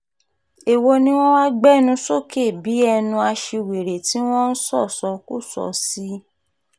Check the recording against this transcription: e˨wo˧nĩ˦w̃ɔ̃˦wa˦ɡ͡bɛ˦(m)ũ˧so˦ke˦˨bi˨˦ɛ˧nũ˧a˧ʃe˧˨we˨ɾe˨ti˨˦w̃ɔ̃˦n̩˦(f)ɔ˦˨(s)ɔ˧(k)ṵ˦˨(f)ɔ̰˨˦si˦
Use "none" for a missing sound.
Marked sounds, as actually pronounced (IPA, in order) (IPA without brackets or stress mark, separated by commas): n, s, s, k, s